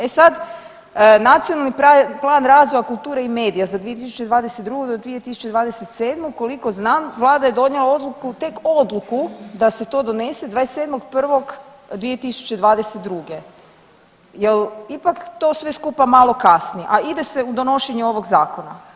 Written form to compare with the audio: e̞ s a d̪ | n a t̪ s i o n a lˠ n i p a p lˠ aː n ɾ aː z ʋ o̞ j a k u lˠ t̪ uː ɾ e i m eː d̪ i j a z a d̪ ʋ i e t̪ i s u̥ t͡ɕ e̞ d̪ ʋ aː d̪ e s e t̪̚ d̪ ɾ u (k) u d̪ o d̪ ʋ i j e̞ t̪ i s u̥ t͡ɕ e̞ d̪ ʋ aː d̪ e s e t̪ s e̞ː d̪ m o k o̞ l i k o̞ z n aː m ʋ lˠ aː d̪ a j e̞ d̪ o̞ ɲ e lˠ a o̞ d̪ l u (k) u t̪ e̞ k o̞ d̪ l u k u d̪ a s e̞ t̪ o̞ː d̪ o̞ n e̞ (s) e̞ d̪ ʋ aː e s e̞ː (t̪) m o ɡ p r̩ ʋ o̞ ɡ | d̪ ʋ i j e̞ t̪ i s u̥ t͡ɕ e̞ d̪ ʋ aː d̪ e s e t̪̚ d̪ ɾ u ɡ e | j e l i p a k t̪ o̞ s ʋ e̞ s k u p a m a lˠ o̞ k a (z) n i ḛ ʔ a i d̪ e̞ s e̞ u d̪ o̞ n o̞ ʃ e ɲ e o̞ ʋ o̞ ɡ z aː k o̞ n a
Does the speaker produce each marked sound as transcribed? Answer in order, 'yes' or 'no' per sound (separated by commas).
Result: no, yes, yes, no, no